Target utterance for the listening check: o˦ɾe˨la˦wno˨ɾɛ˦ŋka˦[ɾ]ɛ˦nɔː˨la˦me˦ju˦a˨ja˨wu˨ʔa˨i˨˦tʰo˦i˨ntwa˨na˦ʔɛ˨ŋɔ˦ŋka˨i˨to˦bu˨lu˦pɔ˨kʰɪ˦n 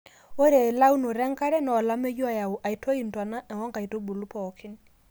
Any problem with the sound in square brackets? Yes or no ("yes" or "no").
no